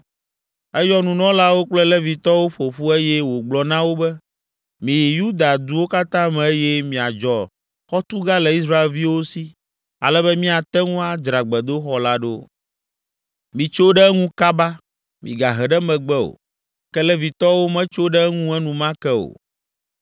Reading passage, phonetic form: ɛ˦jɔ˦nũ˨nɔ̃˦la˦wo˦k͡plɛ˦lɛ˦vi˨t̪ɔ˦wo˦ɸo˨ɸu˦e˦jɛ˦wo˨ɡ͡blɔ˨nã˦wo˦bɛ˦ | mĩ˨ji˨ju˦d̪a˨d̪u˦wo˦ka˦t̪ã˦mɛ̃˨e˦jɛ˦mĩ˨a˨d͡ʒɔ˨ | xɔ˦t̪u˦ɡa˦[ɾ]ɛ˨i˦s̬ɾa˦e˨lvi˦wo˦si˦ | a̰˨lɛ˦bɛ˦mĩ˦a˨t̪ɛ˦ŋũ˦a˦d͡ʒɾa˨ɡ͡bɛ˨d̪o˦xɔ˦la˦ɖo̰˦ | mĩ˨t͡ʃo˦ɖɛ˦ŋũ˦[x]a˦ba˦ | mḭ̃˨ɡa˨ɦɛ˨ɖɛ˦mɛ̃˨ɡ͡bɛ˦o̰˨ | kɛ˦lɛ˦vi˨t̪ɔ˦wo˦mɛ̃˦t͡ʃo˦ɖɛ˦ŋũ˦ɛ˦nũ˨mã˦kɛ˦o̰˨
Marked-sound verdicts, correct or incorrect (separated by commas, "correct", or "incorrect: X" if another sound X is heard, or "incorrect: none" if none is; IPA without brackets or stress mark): incorrect: l, incorrect: k